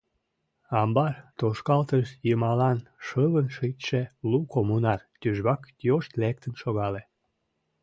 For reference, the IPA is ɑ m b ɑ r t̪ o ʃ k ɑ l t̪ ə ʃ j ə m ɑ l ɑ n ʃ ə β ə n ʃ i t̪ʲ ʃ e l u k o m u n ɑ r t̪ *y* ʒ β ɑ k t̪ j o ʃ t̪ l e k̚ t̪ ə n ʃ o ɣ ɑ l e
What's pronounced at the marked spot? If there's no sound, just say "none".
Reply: y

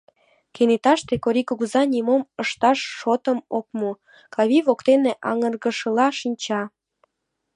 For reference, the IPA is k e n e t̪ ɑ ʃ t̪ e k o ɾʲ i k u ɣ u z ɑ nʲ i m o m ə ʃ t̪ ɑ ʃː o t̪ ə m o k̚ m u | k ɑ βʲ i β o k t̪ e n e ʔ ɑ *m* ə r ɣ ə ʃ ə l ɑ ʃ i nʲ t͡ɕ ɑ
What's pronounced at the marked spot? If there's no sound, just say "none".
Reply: ŋ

